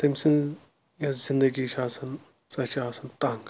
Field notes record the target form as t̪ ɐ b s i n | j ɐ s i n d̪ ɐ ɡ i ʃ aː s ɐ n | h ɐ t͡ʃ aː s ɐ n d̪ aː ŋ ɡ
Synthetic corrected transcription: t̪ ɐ m s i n | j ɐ z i n d̪ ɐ ɡ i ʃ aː s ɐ n | s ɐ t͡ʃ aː s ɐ n t̪ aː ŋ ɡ